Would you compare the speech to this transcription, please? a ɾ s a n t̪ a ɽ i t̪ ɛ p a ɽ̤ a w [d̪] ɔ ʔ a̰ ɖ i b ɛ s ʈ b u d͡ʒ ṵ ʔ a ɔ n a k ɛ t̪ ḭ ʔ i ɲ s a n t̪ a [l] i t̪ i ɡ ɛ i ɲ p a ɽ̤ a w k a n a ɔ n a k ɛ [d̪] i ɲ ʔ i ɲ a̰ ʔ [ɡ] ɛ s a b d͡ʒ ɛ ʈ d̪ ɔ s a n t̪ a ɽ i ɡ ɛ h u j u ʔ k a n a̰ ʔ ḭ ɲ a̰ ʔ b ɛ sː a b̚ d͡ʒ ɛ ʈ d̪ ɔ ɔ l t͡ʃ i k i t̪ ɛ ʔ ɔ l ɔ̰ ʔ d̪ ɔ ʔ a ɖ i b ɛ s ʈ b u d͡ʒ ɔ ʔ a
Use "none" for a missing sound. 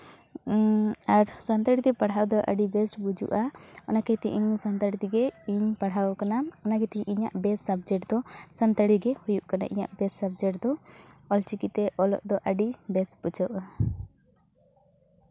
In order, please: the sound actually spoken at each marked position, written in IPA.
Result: d̪, ɽ, t̪, b

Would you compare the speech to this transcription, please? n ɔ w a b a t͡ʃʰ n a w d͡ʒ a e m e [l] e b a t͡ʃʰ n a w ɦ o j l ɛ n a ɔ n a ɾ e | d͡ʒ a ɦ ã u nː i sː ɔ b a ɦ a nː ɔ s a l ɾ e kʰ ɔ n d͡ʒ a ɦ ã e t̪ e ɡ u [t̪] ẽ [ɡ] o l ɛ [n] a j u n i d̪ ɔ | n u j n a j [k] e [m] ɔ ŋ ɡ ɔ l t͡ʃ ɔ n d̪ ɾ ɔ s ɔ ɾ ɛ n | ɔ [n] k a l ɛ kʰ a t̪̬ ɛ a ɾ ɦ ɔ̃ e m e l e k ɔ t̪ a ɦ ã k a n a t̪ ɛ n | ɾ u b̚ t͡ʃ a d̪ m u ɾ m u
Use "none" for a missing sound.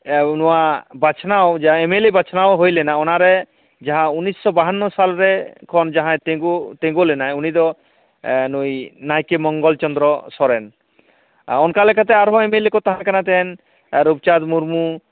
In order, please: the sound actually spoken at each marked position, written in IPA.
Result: l, t̪, ɡ, n, k, m, n

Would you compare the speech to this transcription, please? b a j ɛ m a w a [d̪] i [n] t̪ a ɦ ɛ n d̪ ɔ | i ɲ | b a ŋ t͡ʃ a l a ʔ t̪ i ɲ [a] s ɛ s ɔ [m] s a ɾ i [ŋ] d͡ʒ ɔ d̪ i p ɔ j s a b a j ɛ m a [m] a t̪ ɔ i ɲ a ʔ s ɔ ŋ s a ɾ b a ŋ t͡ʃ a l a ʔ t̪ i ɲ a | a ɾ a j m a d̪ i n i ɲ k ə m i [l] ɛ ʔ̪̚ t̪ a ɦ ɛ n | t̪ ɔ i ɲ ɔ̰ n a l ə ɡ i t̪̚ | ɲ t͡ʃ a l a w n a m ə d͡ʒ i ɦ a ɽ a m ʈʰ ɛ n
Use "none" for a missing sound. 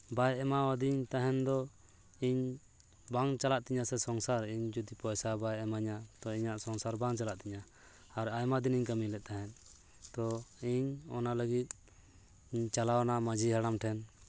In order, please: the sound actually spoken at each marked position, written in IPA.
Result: d̪, ɲ, a, ŋ, ɲ, ɲ, l

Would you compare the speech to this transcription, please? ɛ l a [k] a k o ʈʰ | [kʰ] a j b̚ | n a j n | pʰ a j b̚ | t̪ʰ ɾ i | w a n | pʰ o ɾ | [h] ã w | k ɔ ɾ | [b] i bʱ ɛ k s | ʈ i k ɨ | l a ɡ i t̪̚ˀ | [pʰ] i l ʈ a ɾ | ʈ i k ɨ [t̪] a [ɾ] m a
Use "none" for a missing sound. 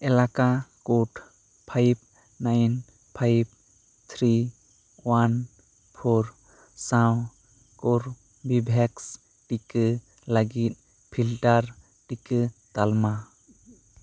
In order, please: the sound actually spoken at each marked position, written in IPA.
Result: k, pʰ, s, b, pʰ, t̪, l

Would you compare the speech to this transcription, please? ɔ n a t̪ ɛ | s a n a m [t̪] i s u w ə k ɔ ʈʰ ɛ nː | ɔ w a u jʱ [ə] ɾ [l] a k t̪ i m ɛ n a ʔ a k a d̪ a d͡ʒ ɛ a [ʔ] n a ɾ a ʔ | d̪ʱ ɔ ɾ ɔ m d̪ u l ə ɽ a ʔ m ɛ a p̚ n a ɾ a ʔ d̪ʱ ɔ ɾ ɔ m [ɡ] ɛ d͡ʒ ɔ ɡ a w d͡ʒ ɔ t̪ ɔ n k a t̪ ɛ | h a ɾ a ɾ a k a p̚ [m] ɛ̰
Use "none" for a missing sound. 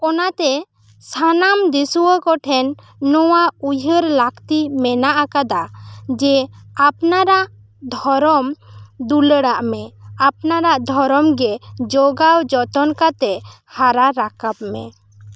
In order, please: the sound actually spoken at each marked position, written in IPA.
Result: d̪, ə, l, p, ɡ, m

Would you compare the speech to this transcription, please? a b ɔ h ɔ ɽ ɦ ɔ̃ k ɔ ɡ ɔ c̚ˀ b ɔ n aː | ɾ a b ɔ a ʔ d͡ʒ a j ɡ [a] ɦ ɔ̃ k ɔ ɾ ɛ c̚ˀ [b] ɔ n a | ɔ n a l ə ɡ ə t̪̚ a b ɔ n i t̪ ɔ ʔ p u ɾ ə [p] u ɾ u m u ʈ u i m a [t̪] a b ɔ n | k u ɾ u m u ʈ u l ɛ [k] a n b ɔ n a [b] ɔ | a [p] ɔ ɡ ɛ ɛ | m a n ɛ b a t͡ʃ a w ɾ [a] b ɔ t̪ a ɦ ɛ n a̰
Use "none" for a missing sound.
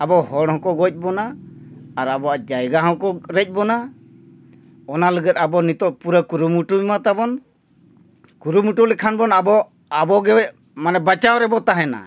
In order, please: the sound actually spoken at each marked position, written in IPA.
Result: a, b, k, t̪, kʰ, b, b, ɛ

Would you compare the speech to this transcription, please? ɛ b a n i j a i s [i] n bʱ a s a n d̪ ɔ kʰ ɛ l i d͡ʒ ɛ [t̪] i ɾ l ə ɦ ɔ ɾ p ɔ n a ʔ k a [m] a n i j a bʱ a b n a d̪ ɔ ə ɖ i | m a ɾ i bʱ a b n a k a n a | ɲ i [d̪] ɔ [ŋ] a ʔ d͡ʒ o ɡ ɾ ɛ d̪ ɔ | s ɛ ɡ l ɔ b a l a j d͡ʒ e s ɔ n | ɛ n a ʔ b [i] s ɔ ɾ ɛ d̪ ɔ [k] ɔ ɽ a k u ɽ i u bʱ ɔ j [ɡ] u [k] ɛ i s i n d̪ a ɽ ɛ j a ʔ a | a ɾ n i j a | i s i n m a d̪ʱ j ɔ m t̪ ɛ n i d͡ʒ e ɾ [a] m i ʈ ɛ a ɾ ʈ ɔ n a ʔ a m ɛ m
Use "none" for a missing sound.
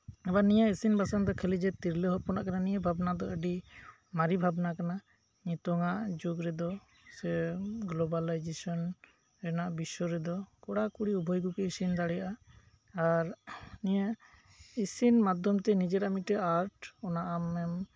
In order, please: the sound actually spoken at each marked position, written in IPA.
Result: i, t̪, n, t̪, ŋ, i, k, ɡ, k, a

